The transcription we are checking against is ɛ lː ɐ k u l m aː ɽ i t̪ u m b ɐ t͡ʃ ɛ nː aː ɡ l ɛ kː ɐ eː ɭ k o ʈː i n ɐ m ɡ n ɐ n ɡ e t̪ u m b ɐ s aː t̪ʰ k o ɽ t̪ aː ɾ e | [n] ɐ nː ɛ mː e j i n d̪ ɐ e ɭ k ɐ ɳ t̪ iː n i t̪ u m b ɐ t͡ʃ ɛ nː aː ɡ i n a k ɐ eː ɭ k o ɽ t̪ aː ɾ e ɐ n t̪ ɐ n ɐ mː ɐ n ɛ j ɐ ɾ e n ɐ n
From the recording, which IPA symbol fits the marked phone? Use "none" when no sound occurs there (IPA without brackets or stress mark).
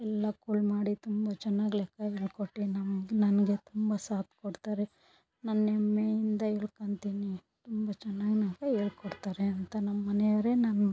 n